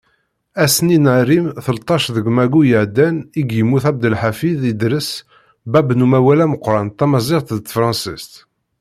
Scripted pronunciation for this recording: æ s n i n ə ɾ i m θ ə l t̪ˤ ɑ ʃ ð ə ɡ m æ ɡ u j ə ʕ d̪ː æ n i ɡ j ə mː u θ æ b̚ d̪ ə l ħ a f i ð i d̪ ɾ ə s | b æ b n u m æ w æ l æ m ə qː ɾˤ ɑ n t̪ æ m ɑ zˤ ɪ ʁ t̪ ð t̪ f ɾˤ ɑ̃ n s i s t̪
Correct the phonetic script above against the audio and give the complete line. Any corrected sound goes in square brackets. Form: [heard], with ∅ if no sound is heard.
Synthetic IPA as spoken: æ s n i n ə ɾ i m θ ə l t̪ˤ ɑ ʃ ð ə ɡ m æ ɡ u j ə ʕ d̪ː æ n i ɡ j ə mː u θ æ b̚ d̪ ə l ħ a f i ð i d̪ ɾ ə s | b æ b n u m æ w æ l æ m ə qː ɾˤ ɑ n t̪ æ m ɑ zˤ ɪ ʁ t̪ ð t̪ f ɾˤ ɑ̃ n s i s t̪